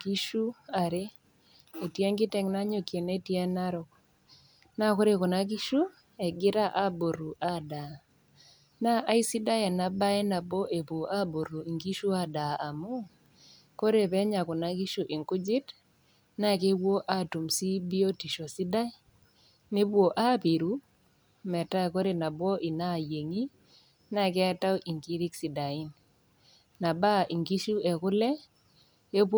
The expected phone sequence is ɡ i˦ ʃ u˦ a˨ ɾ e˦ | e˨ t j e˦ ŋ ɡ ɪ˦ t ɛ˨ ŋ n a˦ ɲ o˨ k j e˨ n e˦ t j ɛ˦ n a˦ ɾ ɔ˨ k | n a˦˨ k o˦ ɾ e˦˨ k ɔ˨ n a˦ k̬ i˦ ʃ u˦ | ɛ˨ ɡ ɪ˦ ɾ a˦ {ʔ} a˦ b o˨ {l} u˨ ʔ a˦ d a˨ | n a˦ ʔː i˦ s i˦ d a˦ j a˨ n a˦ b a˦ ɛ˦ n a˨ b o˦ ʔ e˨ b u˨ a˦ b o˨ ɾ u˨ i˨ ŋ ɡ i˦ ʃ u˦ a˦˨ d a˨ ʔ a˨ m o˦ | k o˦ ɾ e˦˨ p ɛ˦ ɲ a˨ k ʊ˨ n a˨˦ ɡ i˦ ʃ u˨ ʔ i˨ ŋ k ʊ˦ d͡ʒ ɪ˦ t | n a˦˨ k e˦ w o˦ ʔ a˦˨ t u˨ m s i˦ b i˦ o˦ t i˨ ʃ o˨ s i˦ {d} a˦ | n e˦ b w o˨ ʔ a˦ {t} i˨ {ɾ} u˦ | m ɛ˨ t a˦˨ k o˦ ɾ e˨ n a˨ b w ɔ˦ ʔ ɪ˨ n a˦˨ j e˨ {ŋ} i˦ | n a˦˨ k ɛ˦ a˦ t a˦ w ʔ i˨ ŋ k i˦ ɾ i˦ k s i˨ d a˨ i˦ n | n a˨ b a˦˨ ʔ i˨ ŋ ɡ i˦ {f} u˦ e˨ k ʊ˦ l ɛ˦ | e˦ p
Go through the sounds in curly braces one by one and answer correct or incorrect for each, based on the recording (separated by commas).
correct, incorrect, correct, incorrect, correct, correct, incorrect